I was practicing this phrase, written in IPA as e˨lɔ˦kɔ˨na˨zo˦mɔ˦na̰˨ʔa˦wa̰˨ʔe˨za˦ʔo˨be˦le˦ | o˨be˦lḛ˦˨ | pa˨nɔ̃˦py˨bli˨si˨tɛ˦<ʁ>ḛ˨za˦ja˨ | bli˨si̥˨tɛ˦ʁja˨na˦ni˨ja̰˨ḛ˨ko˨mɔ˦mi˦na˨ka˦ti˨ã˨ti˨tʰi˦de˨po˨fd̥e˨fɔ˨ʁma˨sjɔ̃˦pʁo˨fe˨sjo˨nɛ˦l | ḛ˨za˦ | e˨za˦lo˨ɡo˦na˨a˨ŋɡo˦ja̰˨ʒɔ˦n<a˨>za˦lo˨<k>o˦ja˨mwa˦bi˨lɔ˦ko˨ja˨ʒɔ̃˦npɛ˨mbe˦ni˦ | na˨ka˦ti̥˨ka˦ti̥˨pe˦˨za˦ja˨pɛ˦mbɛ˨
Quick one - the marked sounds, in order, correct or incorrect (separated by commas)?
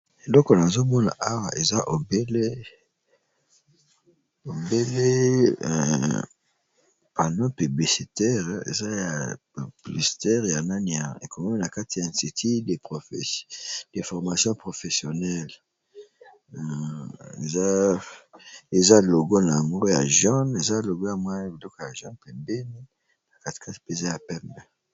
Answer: correct, incorrect, incorrect